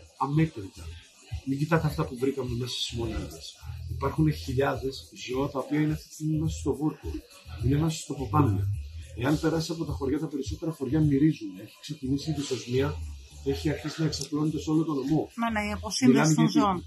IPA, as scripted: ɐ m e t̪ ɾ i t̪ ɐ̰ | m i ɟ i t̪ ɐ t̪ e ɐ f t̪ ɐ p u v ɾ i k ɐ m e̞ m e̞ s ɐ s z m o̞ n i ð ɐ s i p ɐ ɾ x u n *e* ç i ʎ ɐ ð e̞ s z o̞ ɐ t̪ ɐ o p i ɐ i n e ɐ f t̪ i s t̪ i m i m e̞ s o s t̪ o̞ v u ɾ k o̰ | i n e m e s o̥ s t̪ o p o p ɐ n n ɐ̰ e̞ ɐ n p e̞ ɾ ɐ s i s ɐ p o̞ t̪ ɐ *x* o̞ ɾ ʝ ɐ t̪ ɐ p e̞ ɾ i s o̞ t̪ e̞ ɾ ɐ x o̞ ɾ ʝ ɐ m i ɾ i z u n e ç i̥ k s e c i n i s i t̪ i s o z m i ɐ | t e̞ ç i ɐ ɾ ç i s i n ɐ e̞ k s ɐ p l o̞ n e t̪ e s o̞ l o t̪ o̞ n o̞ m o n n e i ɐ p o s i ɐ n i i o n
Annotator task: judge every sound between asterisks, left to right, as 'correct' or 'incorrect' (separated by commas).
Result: correct, correct